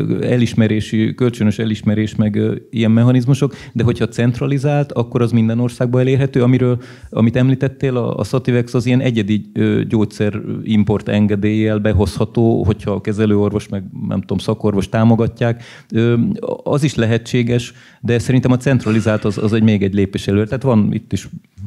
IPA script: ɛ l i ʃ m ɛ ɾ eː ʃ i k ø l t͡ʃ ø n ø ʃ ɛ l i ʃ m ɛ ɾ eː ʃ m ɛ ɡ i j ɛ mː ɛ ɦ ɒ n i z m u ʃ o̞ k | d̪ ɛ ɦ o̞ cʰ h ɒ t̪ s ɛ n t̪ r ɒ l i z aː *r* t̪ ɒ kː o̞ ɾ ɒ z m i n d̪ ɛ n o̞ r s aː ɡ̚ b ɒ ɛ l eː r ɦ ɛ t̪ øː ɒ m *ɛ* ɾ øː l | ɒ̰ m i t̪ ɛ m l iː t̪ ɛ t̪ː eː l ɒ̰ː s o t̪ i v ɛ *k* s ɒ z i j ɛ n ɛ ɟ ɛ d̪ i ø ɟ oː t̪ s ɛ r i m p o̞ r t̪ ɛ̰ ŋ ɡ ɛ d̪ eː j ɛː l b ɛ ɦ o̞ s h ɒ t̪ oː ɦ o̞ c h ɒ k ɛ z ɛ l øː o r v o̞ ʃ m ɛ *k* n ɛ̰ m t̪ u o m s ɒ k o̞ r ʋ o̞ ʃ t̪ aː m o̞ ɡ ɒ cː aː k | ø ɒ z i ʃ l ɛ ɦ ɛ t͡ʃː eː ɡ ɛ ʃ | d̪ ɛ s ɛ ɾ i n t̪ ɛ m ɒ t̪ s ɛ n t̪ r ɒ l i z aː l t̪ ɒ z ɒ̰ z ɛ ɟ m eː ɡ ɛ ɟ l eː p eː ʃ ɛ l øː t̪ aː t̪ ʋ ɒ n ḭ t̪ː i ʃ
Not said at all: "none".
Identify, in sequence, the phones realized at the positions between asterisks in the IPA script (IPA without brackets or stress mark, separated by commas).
l, i, k, ɡ